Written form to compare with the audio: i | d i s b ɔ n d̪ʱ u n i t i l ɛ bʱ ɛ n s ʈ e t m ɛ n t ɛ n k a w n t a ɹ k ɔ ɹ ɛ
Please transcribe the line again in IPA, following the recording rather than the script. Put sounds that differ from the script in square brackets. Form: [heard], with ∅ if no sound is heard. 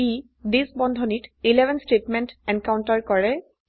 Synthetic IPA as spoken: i | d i s b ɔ n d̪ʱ [ɔ] n i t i l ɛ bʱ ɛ n s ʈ e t m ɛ n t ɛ n k a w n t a ɹ k ɔ ɹ ɛ

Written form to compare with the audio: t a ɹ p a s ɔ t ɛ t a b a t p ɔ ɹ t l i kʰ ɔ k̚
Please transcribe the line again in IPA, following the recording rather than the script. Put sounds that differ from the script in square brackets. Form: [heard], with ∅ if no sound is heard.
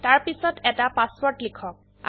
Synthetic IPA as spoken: t a ɹ p [i] s ɔ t ɛ t a [p] a [s] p ɔ ɹ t l i kʰ ɔ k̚

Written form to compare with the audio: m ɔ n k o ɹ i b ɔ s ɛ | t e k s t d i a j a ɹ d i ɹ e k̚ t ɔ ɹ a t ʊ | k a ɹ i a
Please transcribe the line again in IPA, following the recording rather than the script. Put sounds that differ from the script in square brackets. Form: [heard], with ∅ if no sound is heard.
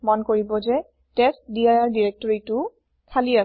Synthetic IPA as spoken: m ɔ n k o ɹ i b ɔ [z] ɛ | t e [∅] s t d i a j a ɹ d i ɹ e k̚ t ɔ ɹ [i] t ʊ | [kʰ] a [l] i a

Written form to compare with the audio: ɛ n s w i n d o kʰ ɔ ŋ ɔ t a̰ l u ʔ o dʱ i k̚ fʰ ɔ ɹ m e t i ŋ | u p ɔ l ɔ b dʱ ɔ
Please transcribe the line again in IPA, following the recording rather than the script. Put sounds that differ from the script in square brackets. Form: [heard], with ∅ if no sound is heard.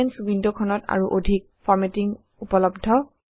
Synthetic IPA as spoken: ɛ n s w i n d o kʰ ɔ [n] ɔ t a̰ [ɹ] u ʔ o dʱ i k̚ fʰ ɔ ɹ m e t i ŋ | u p ɔ l ɔ b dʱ ɔ

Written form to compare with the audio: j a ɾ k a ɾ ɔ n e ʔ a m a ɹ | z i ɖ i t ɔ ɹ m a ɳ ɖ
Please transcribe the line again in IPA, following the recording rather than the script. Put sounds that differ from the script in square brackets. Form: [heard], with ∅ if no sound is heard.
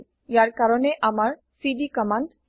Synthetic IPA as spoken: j a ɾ k a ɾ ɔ n e ʔ a m a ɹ | [s] i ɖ i [k] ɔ [∅] m a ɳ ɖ

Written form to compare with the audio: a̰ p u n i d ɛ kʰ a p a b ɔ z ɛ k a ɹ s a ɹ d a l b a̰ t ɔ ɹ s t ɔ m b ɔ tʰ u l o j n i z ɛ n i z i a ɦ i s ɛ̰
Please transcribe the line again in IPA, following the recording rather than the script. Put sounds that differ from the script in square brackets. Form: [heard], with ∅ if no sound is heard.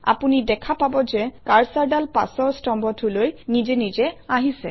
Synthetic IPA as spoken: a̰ p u n i d ɛ kʰ a p a b ɔ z ɛ k a ɹ s a ɹ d a l [p] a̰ [s] ɔ ɹ s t ɔ m b ɔ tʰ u l o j n i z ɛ n i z [ɛ] a ɦ i s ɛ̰

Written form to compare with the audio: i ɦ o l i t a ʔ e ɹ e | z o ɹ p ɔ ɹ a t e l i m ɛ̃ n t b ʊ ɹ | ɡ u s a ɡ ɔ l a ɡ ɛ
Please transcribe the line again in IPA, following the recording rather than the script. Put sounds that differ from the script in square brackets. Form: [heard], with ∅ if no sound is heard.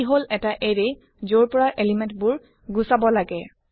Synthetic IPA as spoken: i ɦ o l [ɛ] t a ʔ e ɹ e | z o ɹ p ɔ ɹ a [ʔ] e l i m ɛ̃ n t b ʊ ɹ | ɡ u s a [b] ɔ l a ɡ ɛ

